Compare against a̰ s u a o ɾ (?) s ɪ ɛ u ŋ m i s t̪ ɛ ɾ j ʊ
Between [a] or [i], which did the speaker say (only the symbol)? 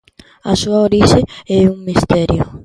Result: i